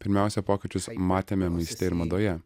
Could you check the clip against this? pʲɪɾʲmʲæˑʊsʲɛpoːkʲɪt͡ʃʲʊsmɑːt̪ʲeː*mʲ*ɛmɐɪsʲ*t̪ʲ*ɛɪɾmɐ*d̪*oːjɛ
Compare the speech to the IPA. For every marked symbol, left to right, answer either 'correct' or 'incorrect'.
correct, correct, correct

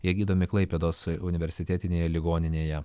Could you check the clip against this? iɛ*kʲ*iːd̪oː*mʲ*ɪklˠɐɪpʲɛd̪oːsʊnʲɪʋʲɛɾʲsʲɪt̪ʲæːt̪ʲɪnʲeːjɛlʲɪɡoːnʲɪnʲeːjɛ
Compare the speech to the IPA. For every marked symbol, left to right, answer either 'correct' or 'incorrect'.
incorrect: ɡʲ, correct

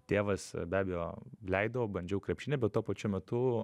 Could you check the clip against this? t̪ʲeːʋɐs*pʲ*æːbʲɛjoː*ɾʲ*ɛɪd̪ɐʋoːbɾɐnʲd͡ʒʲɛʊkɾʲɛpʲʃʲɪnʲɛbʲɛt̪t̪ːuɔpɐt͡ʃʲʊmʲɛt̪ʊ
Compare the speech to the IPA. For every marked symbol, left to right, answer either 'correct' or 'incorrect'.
incorrect: bʲ, incorrect: lʲ

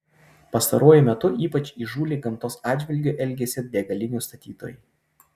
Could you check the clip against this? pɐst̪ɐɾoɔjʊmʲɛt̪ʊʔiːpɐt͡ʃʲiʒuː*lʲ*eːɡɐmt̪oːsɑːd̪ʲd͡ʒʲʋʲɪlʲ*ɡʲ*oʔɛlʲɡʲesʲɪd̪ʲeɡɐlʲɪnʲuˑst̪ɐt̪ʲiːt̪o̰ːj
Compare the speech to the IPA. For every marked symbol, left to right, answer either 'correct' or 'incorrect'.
correct, correct

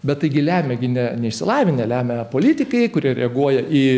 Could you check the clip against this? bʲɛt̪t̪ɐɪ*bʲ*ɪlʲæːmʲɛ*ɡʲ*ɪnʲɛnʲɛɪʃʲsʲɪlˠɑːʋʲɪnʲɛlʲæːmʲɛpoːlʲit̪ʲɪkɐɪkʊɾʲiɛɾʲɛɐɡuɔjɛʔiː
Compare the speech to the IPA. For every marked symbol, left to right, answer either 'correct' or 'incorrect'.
incorrect: ɡʲ, correct

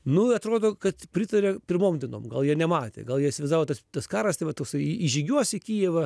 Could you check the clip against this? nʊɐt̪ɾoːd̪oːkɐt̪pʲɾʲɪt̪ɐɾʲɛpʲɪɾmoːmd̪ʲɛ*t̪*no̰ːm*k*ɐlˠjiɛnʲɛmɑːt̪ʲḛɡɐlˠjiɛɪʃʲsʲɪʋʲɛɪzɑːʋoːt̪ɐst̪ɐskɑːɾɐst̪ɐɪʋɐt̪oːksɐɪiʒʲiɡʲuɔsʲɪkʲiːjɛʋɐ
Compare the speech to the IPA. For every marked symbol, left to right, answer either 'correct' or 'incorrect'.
incorrect: none, incorrect: ɡ

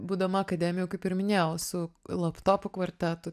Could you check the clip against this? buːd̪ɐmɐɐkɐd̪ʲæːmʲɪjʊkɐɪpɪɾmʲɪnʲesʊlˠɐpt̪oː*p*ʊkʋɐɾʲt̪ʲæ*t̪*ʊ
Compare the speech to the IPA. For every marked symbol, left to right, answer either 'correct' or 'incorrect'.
correct, correct

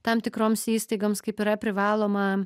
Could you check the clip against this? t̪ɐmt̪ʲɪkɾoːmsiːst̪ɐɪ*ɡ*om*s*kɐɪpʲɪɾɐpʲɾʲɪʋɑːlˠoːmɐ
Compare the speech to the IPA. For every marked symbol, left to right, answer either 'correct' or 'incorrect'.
correct, correct

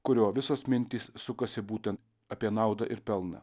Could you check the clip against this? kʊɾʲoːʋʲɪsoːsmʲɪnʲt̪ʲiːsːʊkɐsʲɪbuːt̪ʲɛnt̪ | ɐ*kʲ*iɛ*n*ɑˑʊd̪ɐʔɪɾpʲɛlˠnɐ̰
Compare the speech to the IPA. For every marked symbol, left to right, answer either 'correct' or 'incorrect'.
incorrect: pʲ, correct

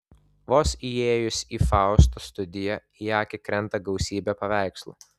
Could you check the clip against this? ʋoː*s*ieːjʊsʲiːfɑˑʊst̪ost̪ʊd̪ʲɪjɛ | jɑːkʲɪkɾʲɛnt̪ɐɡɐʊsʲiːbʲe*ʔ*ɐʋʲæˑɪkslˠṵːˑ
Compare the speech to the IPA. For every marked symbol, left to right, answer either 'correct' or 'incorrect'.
correct, incorrect: p

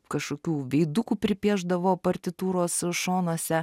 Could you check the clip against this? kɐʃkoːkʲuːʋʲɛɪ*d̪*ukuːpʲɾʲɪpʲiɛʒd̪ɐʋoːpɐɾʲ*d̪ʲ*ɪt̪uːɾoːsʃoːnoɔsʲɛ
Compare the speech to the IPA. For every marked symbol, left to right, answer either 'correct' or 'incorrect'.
correct, incorrect: t̪ʲ

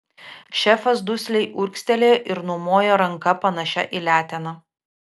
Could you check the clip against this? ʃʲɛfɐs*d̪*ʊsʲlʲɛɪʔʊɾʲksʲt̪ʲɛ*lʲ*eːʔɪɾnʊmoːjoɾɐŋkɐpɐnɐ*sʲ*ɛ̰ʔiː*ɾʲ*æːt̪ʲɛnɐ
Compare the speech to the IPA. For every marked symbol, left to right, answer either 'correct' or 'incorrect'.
correct, correct, incorrect: ʃʲ, incorrect: lʲ

